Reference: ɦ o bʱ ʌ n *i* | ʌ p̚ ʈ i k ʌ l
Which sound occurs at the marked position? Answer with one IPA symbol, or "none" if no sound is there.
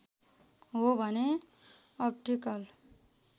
e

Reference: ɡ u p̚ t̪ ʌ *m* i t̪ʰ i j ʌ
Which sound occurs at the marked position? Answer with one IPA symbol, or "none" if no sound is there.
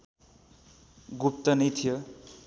n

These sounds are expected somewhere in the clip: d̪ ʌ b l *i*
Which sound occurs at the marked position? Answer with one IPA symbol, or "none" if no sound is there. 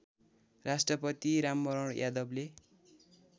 e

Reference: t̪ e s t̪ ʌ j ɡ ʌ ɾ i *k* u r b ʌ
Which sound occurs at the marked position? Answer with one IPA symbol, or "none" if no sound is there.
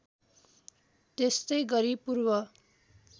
p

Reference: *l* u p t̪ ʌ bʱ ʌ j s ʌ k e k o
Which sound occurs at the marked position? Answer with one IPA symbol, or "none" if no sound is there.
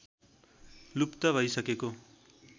l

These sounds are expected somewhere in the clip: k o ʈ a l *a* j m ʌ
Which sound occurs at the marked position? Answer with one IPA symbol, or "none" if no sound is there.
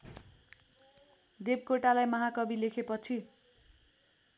a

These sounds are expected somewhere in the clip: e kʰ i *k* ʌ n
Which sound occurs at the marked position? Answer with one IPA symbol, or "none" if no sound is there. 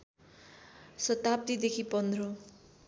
p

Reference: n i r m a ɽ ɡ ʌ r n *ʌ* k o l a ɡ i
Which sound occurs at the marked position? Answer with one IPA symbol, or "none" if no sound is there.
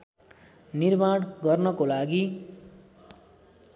ʌ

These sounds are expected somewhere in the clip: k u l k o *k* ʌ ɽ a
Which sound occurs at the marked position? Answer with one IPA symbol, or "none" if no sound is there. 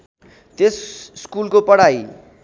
p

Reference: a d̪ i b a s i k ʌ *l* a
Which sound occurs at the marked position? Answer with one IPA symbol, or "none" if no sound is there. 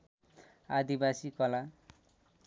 l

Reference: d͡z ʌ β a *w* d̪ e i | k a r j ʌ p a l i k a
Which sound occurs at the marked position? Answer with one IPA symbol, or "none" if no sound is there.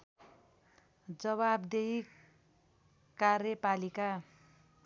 b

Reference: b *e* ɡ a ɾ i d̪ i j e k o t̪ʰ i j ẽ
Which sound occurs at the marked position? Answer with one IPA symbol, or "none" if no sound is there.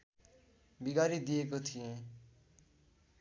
i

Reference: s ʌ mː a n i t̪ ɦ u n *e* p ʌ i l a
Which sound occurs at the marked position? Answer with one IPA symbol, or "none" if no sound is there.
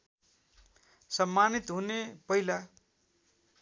e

